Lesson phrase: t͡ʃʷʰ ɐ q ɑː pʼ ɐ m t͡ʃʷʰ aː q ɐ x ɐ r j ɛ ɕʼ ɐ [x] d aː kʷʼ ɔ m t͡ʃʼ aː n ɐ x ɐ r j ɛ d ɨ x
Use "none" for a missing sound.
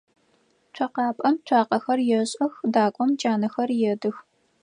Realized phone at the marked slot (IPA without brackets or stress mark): x